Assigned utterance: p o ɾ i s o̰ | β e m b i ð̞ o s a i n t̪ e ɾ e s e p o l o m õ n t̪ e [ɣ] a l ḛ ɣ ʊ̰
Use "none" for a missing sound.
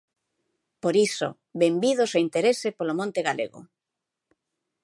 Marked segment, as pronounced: ɣ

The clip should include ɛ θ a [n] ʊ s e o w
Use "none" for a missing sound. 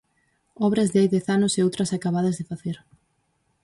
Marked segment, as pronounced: n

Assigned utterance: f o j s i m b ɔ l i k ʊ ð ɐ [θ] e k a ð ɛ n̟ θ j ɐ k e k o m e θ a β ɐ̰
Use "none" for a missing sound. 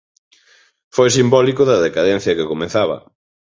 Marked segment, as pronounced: ð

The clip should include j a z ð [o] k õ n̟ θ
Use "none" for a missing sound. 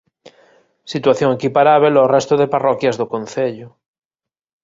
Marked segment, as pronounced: o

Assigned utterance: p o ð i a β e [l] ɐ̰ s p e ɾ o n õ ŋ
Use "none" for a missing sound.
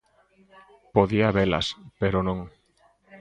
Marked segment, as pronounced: l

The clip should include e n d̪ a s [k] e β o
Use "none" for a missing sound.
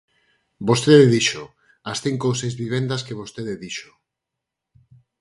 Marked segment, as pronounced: k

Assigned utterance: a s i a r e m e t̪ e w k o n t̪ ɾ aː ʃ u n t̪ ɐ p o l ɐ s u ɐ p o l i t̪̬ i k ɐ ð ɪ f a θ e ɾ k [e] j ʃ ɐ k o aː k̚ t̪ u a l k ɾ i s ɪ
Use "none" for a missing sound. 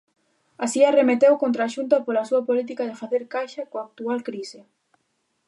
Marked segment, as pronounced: a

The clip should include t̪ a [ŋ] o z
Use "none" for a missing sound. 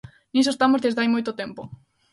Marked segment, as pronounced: m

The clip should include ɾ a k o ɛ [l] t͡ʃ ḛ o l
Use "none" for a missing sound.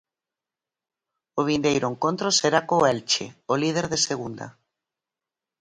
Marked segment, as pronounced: l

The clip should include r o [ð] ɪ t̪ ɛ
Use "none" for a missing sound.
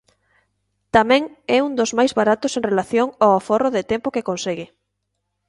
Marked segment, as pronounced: ð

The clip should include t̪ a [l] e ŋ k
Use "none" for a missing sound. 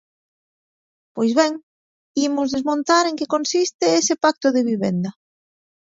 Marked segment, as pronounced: ɾ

